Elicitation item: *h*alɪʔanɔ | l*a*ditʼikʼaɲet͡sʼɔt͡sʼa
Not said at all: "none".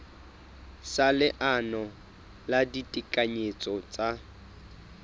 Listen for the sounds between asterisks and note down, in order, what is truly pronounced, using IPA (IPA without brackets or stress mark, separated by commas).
s, a